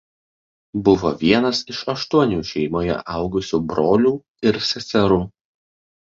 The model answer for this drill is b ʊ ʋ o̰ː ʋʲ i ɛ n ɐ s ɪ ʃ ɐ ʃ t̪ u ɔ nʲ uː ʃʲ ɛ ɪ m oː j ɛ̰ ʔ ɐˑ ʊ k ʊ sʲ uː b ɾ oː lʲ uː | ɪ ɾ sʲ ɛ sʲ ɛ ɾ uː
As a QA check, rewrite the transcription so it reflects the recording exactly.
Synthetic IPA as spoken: b ʊ ʋ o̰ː ʋʲ i ɛ n ɐ s ɪ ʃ ɐ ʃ t̪ u ɔ nʲ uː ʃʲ ɛ ɪ m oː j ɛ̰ ʔ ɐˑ ʊ ɡ ʊ sʲ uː b ɾ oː lʲ uː | ɪ ɾ sʲ ɛ sʲ ɛ ɾ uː